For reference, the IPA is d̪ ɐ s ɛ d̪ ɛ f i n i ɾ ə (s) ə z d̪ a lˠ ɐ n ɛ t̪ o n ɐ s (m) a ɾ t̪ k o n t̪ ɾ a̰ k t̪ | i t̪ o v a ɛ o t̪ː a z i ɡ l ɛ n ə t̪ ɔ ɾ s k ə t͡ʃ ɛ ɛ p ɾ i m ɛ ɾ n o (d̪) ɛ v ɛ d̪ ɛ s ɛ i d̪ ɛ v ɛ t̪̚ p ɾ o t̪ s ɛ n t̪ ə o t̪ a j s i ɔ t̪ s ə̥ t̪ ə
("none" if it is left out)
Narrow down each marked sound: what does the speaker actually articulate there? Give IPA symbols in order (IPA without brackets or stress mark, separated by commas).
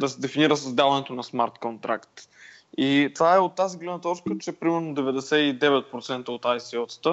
s, m, d̪